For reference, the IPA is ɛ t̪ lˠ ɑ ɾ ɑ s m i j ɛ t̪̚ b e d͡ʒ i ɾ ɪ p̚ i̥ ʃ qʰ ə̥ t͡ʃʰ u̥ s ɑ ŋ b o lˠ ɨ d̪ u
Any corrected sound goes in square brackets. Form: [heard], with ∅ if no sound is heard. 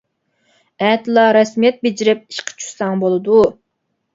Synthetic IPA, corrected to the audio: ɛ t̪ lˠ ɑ ɾ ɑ s m i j ɛ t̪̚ b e d͡ʒ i ɾ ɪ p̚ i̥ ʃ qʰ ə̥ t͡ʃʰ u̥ s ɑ ŋ b o lˠ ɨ d̪ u